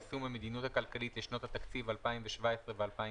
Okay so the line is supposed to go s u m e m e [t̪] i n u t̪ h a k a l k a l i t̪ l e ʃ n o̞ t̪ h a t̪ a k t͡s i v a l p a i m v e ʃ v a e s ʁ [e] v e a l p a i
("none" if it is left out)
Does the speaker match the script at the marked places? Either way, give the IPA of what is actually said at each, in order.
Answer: d̪, e

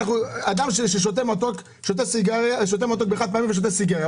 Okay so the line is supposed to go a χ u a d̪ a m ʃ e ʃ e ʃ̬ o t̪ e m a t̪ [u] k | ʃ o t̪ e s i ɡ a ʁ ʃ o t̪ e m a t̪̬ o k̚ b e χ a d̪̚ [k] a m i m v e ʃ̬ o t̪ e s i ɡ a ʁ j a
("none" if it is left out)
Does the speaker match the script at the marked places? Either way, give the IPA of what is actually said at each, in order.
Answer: o, p

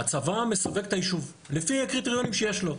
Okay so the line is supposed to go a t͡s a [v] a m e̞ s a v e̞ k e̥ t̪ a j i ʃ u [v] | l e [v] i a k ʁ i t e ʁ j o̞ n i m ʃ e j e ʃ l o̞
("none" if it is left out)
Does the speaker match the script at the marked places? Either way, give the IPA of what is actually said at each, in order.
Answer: v, v, f

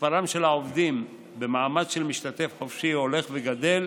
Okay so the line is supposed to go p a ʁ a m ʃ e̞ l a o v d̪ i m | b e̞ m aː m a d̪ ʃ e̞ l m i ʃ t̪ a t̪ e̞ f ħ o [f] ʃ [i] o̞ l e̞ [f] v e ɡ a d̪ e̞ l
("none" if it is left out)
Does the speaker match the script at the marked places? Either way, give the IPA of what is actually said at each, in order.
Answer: f, i, χ

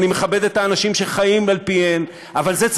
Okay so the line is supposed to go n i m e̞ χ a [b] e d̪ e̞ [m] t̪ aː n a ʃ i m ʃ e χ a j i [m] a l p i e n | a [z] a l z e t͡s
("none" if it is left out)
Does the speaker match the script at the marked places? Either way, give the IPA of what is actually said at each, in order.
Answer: b, none, m, v

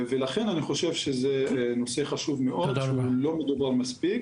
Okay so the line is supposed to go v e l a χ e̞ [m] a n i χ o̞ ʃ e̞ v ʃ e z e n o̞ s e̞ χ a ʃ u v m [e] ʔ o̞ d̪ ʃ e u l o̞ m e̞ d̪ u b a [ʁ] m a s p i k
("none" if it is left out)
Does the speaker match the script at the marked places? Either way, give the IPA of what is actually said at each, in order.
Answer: n, e, ʁ

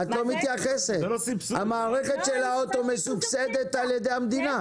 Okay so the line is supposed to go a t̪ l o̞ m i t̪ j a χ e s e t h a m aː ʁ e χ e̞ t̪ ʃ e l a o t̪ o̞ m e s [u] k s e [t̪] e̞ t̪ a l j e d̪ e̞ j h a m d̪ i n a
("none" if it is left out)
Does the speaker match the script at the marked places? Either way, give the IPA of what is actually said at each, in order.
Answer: u, d̪

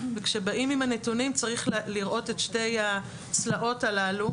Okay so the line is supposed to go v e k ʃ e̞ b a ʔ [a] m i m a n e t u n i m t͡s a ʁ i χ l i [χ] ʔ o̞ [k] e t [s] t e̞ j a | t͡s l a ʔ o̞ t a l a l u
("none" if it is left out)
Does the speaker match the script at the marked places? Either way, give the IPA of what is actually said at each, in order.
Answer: i, ʁ, t, ʃ

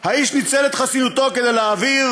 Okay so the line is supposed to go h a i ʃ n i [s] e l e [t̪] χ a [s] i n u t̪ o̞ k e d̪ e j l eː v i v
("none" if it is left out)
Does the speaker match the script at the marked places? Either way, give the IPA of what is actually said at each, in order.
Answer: t͡s, t̪, s

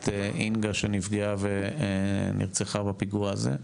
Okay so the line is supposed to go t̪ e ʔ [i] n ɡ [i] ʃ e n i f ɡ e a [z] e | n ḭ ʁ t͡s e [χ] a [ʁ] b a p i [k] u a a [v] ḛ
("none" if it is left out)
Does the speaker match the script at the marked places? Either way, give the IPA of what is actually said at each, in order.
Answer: i, a, v, χ, none, ɡ, z

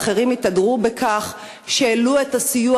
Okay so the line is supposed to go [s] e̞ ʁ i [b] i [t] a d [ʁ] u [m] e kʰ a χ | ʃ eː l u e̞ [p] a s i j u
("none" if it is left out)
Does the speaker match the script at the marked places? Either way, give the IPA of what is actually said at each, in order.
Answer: χ, m, t, ʁ, b, t

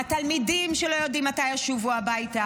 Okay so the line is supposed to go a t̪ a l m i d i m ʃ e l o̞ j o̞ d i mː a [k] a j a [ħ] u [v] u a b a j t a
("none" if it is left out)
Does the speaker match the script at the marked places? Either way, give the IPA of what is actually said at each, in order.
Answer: t, ʃ, v

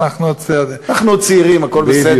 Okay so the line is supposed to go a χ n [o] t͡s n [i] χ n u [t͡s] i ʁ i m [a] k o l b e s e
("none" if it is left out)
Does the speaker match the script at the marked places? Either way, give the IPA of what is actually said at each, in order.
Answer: u, a, t͡s, a

